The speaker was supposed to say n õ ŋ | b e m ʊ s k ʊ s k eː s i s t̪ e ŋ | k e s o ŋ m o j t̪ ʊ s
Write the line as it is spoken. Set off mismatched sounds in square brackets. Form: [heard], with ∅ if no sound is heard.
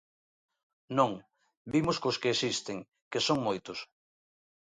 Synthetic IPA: n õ ŋ | b [i] m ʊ s k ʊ s k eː s i s t̪ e ŋ | k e s o ŋ m o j t̪ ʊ s